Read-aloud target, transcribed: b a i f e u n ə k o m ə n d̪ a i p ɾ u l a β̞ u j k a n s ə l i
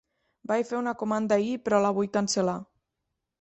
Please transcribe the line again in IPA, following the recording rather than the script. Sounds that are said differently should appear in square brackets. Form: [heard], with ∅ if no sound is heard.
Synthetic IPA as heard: b a [j] f e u n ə k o m [a] n d̪ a i p ɾ [ɔ] l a β̞ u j k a n s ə l [a]